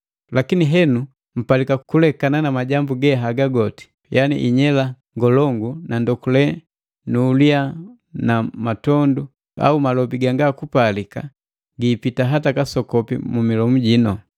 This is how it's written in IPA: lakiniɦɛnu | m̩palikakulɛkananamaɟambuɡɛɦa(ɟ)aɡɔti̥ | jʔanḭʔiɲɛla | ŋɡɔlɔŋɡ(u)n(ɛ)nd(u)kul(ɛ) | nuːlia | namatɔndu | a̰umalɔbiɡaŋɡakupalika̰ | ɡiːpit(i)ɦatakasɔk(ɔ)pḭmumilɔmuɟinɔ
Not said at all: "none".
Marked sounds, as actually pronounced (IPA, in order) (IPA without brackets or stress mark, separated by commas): ɡ, u, a, ɔ, ɛ, a, ɔ